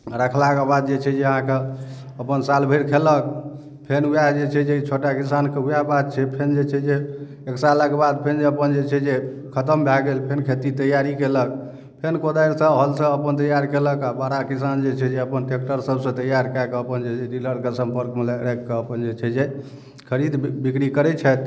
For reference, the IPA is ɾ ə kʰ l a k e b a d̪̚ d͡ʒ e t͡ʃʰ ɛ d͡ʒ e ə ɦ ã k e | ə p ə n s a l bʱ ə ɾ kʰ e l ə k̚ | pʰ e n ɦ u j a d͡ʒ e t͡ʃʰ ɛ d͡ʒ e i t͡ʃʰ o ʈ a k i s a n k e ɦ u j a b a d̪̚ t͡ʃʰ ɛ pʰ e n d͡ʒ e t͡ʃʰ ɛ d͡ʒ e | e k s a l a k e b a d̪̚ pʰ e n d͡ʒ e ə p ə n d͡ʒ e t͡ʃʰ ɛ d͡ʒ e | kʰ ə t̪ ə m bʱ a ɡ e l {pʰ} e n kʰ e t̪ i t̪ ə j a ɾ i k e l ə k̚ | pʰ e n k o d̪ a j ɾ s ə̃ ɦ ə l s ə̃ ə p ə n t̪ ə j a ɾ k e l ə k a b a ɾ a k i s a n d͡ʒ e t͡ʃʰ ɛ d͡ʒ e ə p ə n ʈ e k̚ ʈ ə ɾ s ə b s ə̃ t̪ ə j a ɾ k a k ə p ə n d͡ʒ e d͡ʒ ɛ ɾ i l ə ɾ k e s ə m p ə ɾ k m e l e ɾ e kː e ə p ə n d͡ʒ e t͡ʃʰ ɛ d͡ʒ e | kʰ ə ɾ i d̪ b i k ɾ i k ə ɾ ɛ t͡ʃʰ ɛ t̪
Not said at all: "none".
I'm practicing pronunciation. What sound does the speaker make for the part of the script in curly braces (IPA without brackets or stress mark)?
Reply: pʰ